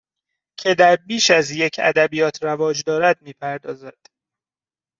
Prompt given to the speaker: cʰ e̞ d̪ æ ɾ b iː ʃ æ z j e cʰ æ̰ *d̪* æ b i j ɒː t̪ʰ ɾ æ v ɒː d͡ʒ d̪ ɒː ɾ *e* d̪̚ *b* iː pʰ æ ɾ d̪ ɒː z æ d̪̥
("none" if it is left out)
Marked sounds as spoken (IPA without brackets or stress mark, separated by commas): d̪, æ, m